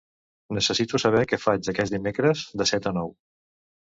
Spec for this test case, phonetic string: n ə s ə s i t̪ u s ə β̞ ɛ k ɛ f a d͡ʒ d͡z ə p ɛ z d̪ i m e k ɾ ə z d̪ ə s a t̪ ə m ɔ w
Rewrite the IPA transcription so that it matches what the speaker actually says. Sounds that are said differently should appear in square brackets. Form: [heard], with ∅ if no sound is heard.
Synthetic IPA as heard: n ə s ə s i t̪ u s ə β̞ ɛ k ɛ f a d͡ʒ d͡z ə [k] ɛ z d̪ i m e k ɾ ə z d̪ ə s [ɛ] t̪ ə [n] ɔ w